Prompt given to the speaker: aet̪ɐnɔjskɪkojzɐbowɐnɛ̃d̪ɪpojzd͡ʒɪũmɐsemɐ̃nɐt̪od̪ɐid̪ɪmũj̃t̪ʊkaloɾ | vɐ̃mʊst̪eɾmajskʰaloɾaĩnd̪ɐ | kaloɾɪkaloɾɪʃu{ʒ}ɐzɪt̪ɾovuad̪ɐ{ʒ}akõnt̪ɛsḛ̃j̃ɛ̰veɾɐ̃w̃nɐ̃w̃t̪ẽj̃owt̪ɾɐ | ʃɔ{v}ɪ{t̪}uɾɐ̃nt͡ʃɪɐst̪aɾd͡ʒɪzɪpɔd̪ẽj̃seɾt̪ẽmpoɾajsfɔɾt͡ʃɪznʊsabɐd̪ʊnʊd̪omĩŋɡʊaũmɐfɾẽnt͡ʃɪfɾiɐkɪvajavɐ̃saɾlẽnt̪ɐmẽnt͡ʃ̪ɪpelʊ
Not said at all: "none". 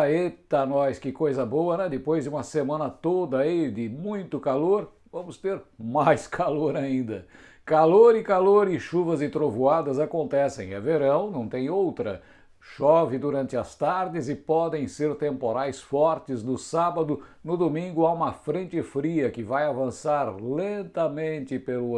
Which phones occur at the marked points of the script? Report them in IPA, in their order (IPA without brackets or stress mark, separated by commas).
v, z, v, d̪